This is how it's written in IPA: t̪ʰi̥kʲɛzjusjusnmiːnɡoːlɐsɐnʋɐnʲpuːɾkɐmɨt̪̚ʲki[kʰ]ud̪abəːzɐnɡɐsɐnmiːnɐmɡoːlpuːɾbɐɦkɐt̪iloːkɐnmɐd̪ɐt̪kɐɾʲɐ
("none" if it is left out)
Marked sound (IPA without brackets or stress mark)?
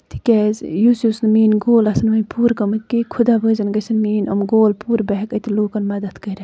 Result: kʰ